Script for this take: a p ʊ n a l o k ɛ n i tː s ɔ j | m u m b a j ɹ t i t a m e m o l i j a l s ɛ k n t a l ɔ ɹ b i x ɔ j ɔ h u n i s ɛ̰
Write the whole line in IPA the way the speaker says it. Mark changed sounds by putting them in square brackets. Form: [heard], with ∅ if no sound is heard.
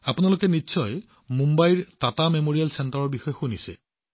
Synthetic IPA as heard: a p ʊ n a l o k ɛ n i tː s ɔ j | m u m b a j ɹ t [a] t a m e m o [ɹ] i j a l s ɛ [∅] n t a [ɹ] ɔ ɹ b i x ɔ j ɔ [x] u n i s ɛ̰